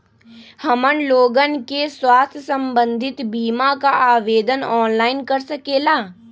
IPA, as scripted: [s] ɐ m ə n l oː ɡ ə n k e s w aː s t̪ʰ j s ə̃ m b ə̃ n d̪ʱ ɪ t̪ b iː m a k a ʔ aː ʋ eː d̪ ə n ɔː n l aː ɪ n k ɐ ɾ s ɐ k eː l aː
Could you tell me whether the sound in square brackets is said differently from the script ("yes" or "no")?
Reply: yes